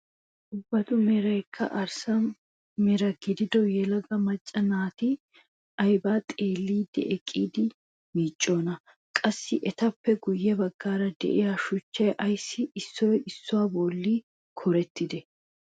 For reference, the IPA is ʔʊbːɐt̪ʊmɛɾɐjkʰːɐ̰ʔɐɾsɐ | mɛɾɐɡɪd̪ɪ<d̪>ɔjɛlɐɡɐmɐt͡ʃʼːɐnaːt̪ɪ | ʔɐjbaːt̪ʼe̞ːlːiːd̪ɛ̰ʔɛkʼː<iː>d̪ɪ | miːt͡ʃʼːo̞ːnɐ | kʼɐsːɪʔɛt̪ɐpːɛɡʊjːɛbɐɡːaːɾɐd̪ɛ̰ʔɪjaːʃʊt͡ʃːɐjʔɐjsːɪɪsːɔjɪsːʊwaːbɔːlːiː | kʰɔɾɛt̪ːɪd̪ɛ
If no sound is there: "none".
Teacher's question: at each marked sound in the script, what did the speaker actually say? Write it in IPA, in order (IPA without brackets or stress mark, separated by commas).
d̪, iː